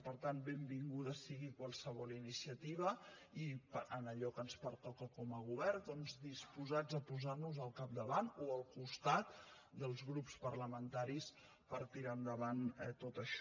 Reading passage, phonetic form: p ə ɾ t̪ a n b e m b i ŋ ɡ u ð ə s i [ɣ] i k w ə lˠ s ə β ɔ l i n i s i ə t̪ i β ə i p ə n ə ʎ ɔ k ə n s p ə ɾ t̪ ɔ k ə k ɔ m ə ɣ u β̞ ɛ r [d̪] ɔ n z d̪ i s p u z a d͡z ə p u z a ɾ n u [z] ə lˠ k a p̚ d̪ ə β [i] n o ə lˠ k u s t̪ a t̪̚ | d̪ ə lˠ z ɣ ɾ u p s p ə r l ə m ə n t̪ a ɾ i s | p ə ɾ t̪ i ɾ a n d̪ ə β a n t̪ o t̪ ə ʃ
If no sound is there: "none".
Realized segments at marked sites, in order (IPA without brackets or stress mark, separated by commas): ɣ, d̪, z, a